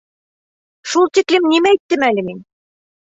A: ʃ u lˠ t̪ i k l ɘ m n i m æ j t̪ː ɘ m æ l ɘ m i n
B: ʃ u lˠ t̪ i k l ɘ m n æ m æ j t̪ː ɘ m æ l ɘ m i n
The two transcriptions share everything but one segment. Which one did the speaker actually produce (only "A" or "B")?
A